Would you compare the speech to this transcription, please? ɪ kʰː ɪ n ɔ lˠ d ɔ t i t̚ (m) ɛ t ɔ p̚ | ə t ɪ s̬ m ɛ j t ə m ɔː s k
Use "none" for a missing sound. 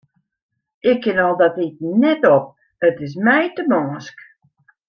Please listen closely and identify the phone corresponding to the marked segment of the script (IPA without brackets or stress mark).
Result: n